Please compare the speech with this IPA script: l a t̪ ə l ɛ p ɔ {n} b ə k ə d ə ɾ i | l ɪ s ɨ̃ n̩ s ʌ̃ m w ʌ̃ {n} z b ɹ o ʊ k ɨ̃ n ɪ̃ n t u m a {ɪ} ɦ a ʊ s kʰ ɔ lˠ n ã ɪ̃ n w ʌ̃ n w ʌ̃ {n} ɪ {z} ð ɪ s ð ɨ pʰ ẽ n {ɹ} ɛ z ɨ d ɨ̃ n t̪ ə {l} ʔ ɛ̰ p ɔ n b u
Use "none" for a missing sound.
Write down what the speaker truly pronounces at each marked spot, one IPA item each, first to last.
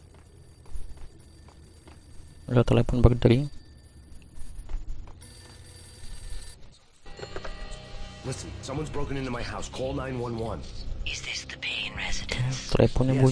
n, n, ɪ, n, z, ɹ, l

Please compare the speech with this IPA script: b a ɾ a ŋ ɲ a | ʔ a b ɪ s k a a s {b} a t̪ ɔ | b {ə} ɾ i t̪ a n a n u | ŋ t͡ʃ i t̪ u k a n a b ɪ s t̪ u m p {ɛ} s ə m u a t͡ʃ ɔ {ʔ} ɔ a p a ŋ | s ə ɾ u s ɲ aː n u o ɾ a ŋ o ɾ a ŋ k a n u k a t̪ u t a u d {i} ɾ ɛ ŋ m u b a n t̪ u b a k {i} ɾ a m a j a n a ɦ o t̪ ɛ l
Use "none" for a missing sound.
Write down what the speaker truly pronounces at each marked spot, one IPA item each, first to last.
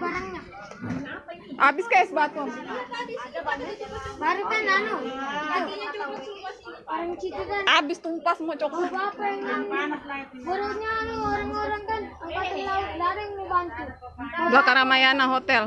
b, a, a, k, a, a

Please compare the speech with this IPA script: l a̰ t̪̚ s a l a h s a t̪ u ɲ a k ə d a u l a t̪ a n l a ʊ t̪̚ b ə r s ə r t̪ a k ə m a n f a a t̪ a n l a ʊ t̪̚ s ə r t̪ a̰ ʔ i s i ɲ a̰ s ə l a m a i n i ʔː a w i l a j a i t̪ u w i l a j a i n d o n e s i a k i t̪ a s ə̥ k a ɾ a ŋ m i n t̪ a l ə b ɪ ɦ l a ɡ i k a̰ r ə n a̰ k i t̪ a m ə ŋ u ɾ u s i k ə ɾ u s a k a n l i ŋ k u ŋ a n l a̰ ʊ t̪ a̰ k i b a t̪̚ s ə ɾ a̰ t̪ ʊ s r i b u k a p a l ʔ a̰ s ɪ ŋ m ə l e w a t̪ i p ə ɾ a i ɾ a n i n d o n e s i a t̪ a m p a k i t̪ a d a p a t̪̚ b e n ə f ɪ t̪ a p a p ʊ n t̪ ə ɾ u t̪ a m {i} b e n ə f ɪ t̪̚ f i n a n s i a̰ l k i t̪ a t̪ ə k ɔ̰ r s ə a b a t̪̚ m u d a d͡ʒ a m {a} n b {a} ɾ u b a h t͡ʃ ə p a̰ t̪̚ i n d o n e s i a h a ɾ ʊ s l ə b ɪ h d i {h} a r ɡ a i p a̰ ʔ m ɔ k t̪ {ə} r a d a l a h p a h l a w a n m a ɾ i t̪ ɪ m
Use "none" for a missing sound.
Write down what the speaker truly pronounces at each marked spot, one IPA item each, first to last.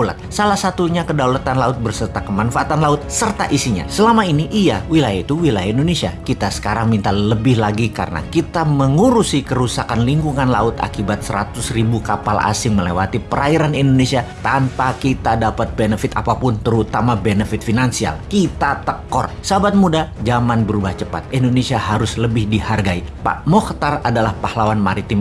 a, a, ə, h, a

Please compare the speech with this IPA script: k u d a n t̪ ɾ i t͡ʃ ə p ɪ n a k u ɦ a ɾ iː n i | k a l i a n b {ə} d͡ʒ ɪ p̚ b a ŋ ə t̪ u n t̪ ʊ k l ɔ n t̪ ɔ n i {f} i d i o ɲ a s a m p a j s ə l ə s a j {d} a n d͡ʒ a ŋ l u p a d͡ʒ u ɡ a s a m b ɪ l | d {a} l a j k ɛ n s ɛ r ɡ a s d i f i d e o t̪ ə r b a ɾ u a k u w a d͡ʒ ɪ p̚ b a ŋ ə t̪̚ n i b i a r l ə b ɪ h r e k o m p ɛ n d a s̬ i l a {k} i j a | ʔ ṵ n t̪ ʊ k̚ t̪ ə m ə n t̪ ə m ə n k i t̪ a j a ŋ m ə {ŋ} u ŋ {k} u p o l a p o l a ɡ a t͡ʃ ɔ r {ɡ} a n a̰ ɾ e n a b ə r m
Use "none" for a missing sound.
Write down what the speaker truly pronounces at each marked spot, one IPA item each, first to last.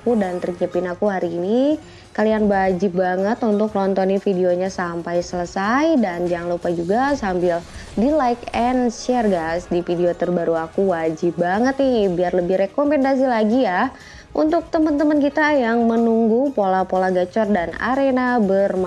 a, f, d, i, ɡ, n, ɡ, d

